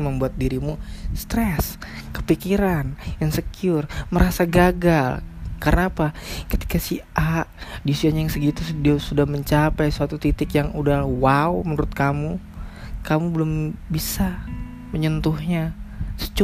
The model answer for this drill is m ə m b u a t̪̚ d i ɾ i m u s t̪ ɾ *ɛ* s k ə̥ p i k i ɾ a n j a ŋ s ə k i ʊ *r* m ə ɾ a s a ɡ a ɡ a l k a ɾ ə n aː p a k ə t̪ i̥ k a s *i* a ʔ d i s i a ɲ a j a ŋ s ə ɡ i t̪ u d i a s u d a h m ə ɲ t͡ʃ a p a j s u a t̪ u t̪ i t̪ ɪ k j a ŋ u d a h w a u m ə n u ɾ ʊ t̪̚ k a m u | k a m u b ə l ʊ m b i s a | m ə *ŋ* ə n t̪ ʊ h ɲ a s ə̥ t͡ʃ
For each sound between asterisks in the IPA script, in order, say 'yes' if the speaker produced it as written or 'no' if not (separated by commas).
yes, yes, yes, no